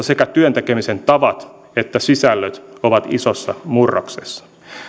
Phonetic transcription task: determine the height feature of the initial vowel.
mid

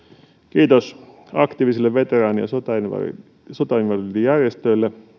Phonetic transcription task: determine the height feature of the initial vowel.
high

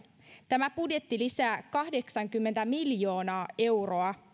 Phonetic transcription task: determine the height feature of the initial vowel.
low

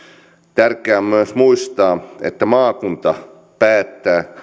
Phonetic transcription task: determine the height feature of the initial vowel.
low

